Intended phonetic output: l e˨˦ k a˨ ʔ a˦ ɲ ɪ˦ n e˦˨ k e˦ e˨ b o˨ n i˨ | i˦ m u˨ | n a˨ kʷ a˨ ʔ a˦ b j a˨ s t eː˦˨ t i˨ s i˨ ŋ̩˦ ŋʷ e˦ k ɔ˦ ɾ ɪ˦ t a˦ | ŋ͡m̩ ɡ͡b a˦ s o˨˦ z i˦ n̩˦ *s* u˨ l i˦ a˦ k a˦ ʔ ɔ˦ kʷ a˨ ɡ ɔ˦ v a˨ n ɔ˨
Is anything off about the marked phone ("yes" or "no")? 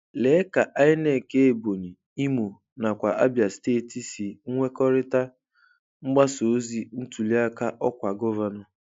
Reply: yes